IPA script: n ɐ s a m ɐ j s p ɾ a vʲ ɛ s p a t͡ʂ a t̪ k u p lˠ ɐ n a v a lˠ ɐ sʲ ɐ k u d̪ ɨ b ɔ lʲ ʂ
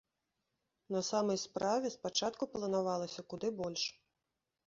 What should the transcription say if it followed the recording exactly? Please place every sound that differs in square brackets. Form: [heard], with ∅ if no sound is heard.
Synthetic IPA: n ɐ s a m ɐ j s p ɾ a vʲ ɛ s p a t͡ʂ a t̪ k u p lˠ ɐ n a v a lˠ ɐ sʲ ɐ k u d̪ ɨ b ɔ lʲ ʂ